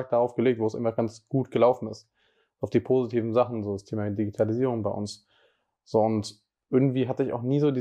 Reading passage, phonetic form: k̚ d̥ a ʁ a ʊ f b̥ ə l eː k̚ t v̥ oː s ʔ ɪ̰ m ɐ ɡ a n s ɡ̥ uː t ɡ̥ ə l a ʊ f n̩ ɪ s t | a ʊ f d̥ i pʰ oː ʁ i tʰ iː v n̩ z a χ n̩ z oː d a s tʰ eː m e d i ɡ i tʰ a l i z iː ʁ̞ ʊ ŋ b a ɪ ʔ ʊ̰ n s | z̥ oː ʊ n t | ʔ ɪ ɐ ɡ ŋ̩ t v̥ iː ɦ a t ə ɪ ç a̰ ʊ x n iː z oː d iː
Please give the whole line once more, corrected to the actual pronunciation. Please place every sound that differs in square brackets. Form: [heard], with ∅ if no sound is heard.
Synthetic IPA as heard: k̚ d̥ a ʁ a ʊ f [ɡ̥] ə l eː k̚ t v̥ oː s ʔ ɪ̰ m ɐ ɡ a n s ɡ̥ uː t ɡ̥ ə l a ʊ f n̩ ɪ s t | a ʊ f d̥ [iː] pʰ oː [z] i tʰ iː v n̩ z a χ n̩ z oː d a s tʰ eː m [a] d i ɡ i tʰ a l i z iː ʁ̞ ʊ ŋ b a ɪ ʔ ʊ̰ n s | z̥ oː ʊ n t | ʔ ɪ ɐ ɡ ŋ̩ t v̥ iː ɦ a t ə ɪ ç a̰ ʊ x n iː z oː d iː